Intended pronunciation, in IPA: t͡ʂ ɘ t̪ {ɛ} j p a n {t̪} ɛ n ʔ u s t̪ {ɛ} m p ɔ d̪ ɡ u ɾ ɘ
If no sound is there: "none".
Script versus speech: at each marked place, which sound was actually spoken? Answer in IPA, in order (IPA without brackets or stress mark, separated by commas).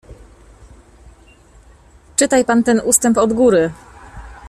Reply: a, t̪, ɛ